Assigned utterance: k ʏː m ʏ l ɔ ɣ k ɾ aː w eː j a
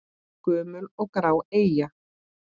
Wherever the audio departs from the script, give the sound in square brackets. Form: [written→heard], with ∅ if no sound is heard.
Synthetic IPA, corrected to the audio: k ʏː m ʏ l ɔ ɣ k ɾ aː w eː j a